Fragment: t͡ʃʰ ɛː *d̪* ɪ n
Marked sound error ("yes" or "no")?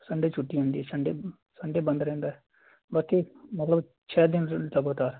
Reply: no